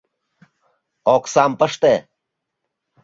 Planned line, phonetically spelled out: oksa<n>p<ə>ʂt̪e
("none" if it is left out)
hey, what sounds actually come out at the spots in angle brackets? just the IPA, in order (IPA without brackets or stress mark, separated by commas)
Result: m, ə